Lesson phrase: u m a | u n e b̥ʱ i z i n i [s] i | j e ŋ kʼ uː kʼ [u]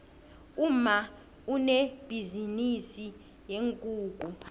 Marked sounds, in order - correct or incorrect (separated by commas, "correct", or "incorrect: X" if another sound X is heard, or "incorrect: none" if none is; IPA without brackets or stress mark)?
correct, correct